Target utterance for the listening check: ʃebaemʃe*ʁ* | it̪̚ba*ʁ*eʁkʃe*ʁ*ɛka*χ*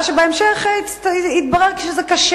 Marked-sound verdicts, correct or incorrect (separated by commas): incorrect, correct, incorrect, incorrect